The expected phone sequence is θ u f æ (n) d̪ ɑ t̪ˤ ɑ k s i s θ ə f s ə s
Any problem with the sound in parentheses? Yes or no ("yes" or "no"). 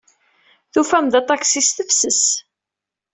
yes